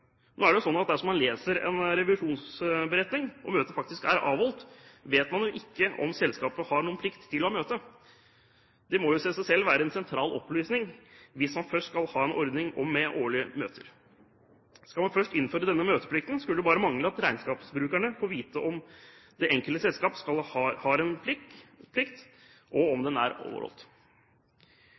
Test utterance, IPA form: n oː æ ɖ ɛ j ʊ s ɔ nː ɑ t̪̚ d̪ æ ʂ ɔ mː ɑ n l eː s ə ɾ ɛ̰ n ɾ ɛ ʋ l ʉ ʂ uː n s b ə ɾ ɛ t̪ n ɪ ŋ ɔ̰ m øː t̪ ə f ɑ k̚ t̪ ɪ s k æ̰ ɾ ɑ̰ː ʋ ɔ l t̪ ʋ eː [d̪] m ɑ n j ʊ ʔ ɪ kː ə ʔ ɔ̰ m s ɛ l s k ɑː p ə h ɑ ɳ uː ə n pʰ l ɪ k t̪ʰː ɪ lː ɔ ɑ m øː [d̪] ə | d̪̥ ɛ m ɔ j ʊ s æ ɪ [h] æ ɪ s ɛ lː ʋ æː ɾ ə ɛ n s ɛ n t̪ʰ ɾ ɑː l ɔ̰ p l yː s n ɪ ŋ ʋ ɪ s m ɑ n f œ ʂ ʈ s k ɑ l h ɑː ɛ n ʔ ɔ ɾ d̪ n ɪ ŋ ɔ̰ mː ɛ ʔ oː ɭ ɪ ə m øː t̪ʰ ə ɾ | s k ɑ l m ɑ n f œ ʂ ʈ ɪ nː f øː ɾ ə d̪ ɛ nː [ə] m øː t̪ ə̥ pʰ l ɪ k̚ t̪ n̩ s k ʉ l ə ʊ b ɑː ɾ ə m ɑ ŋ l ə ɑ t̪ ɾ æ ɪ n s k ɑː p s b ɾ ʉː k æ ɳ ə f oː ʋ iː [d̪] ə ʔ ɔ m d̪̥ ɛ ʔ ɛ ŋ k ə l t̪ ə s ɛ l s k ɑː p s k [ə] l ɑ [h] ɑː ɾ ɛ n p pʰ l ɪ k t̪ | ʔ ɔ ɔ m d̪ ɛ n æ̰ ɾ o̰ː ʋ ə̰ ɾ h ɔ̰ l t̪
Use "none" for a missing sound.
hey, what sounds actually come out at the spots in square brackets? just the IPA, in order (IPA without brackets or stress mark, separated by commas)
t̪, t̪, s, ə, t̪, ɑ, h